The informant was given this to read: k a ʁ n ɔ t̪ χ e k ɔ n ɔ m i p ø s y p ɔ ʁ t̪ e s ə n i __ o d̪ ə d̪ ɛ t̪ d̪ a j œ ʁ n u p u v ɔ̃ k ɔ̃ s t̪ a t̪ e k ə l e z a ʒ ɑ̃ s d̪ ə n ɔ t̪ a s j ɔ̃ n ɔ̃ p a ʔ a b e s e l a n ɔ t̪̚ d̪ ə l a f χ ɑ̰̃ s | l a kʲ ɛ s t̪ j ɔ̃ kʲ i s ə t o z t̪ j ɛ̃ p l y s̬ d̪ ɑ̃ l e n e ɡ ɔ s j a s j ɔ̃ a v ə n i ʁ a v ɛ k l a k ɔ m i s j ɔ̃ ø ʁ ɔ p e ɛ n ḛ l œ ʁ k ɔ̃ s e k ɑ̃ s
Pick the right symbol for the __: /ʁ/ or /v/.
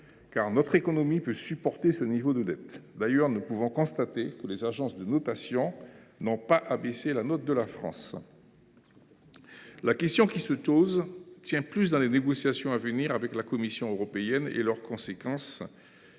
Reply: v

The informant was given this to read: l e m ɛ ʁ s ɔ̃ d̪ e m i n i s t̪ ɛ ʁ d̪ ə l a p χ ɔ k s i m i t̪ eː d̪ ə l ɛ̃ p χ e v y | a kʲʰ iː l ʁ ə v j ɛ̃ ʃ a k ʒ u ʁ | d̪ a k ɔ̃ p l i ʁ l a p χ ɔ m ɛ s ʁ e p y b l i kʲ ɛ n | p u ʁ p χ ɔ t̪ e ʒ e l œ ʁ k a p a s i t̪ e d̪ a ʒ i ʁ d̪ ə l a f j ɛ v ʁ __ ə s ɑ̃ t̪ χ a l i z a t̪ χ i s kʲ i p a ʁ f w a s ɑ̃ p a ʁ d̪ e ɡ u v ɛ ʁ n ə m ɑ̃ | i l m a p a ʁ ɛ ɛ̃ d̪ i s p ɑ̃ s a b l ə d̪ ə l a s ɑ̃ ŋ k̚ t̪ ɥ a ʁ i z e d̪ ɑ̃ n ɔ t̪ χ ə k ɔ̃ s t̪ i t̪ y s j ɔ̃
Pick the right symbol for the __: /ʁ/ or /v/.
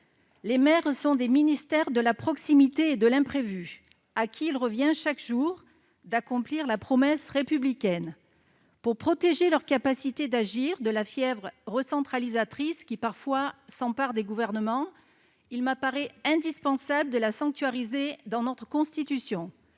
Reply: ʁ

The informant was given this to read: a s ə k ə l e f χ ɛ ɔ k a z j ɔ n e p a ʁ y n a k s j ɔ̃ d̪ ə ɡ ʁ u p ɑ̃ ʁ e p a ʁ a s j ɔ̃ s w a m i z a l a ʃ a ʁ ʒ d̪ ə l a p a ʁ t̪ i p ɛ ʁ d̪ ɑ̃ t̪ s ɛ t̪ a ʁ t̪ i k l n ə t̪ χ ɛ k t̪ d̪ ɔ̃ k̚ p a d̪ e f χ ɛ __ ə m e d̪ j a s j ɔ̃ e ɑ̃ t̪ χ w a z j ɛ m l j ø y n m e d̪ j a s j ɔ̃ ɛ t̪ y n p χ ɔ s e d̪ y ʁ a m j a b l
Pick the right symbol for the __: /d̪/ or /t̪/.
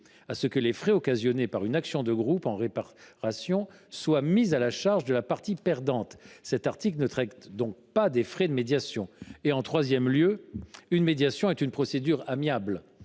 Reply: d̪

